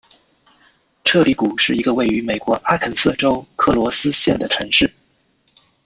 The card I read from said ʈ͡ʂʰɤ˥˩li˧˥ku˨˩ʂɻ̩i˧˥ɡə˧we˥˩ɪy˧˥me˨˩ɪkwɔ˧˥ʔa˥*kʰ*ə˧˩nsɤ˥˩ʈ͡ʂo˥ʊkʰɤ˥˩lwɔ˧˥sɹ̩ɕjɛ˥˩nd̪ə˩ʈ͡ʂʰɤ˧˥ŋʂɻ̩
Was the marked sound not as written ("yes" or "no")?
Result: no